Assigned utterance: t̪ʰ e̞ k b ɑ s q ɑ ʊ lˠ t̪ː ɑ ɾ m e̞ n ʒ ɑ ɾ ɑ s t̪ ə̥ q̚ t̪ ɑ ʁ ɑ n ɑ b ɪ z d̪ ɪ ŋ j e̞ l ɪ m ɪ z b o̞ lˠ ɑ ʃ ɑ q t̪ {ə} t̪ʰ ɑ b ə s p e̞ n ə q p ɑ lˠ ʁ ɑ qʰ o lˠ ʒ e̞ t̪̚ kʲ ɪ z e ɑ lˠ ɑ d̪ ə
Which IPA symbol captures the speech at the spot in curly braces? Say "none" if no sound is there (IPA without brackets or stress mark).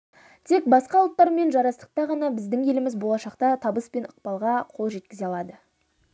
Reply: ɑ